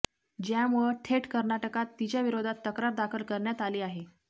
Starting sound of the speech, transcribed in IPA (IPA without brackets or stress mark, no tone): d͡ʑ